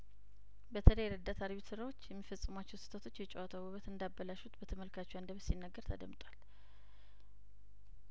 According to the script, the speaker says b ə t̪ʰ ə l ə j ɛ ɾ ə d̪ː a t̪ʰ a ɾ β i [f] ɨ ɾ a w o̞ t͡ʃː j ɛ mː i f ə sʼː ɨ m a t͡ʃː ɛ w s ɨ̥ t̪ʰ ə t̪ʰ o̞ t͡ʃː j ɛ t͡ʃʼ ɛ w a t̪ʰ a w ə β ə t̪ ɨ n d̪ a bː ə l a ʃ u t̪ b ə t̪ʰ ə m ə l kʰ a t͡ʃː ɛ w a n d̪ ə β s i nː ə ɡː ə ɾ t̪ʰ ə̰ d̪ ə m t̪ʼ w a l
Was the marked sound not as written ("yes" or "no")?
yes